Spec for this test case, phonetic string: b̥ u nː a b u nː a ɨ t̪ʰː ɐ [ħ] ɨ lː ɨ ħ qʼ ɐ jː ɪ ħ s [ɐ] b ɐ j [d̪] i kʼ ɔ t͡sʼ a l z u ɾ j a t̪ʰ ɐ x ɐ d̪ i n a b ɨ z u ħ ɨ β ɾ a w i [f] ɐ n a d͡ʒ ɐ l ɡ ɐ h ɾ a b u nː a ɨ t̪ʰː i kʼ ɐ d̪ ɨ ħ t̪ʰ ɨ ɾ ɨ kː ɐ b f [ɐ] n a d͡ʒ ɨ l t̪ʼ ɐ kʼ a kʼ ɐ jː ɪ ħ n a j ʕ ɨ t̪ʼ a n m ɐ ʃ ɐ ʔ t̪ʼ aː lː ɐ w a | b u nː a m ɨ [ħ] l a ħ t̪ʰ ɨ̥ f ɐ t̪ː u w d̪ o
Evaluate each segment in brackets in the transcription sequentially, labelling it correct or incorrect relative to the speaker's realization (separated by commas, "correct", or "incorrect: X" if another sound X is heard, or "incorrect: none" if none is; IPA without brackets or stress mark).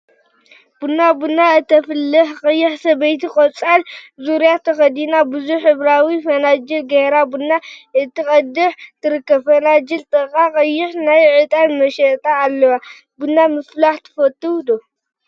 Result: incorrect: f, correct, incorrect: t̪, correct, correct, incorrect: f